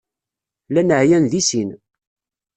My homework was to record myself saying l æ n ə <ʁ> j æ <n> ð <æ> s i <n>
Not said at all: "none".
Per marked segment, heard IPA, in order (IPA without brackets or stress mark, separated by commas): ʕ, n, i, n